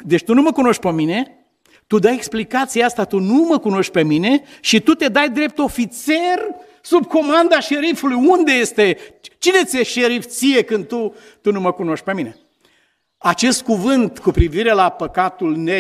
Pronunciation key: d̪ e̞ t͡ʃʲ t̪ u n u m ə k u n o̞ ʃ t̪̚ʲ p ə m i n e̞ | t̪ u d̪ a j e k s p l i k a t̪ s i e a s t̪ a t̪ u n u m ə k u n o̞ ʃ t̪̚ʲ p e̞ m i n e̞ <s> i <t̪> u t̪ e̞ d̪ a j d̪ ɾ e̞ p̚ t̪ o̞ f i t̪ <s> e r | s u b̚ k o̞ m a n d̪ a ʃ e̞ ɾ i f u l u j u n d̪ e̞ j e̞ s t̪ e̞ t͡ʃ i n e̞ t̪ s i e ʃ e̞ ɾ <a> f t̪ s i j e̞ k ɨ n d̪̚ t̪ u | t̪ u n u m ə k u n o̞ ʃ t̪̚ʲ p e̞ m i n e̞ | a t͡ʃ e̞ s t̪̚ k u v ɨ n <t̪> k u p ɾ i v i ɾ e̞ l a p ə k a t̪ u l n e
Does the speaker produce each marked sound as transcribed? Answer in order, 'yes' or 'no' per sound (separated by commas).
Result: no, yes, yes, no, yes